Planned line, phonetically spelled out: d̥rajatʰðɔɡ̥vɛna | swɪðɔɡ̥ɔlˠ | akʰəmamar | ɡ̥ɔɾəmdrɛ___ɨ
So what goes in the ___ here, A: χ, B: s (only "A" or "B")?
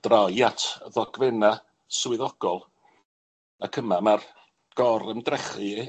A